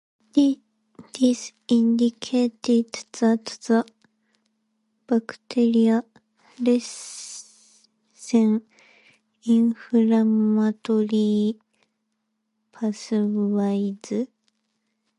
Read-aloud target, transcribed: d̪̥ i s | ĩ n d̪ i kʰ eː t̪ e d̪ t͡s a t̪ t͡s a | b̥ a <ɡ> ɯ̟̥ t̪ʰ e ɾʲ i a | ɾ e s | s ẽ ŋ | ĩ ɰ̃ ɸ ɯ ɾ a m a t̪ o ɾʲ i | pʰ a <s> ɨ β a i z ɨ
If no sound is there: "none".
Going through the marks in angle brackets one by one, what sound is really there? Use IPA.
k, s

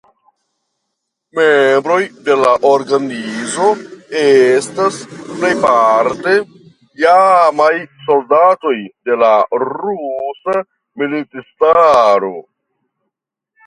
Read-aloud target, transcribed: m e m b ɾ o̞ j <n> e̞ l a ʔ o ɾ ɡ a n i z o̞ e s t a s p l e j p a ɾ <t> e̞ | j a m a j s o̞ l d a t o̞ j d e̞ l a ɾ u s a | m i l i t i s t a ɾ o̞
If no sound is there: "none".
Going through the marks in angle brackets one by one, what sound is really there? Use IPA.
d, t

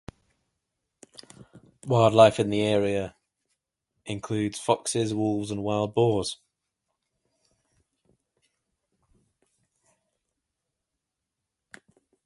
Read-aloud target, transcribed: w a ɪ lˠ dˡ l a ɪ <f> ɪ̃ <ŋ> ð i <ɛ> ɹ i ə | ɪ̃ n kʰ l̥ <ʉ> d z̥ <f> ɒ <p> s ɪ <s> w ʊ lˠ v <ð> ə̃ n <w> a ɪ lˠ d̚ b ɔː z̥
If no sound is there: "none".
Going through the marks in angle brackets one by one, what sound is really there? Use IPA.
f, n, ɛː, ʉː, f, k, z, z, w

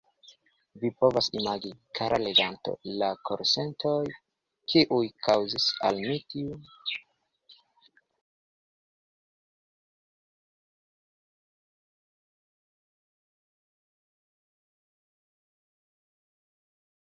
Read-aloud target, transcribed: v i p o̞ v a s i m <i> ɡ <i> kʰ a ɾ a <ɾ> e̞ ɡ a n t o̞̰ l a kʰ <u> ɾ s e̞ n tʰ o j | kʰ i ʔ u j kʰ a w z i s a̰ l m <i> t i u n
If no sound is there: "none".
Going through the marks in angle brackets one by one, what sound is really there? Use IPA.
a, i, l, o, i

